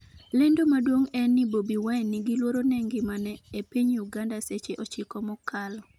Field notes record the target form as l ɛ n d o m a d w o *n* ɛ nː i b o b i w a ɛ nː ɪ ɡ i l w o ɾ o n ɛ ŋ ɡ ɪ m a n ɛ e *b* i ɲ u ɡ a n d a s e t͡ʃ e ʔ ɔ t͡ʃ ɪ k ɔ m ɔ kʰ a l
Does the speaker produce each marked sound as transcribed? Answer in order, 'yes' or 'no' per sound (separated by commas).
no, no